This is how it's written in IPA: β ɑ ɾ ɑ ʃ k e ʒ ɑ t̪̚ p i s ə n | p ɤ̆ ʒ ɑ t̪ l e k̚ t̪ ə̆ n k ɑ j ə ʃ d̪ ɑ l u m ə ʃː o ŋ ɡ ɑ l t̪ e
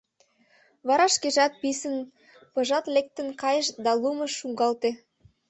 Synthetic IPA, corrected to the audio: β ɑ ɾ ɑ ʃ k e ʒ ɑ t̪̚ p i s ə n | p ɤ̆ ʒ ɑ t̪ l e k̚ t̪ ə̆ n k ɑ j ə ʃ d̪ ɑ l u m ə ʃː u ŋ ɡ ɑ l t̪ e